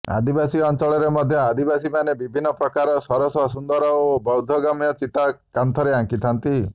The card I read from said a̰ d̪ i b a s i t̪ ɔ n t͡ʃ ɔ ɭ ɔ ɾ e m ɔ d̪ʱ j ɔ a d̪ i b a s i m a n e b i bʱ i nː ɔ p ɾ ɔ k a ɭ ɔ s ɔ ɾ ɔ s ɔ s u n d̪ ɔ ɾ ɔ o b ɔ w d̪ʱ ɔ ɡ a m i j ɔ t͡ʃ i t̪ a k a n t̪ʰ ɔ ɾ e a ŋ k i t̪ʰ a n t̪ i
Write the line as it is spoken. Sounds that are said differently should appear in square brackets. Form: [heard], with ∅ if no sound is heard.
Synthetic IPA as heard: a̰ d̪ i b a s i [∅] ɔ n t͡ʃ ɔ ɭ ɔ ɾ e m ɔ d̪ʱ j ɔ a d̪ i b a s i m a n e b i bʱ i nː ɔ p ɾ ɔ k a [ɾ] ɔ s ɔ ɾ ɔ s ɔ s u n d̪ ɔ ɾ ɔ o b ɔ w d̪ʱ ɔ ɡ a m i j ɔ t͡ʃ i t̪ a k a n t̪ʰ ɔ ɾ e a ŋ k i t̪ʰ a n t̪ i